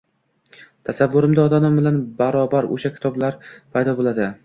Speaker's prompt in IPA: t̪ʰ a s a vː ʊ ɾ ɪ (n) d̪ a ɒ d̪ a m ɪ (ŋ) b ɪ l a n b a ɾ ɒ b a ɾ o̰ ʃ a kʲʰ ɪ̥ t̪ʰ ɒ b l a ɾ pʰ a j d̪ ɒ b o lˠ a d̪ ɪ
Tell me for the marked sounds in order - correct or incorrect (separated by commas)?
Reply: incorrect, incorrect